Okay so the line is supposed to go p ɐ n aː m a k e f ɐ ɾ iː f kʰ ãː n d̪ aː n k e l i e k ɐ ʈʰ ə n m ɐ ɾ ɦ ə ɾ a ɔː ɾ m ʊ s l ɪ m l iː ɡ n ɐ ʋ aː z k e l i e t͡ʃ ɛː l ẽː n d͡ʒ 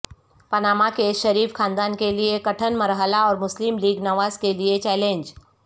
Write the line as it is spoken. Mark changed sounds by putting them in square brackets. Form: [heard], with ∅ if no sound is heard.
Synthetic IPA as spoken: p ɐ n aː m a k e [ʃ] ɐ ɾ iː f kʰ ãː n d̪ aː n k e l i e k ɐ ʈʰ ə n m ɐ ɾ ɦ ə [l] a ɔː ɾ m ʊ s l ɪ m l iː ɡ n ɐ ʋ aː z k e l i e t͡ʃ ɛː l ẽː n d͡ʒ